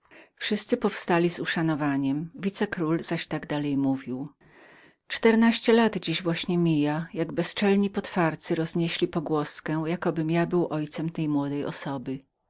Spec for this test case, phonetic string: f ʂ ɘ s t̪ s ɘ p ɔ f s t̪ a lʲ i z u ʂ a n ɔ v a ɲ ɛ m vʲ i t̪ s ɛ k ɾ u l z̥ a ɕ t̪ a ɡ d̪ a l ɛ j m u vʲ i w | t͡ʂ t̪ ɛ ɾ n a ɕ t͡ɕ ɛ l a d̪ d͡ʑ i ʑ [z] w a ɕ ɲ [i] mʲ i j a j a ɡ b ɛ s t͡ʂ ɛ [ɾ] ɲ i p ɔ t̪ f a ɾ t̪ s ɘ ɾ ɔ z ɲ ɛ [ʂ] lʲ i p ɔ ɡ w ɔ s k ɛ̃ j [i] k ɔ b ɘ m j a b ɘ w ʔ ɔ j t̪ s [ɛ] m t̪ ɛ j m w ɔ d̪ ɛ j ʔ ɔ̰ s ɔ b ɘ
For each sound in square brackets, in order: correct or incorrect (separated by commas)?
incorrect, incorrect, incorrect, incorrect, incorrect, correct